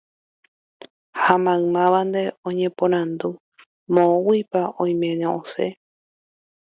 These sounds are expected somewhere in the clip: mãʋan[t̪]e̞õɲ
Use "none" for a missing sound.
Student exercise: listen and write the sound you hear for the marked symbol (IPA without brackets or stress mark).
d̪